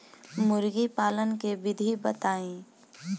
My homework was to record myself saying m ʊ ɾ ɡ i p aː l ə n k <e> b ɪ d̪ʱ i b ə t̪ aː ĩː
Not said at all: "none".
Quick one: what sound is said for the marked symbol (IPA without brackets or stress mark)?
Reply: e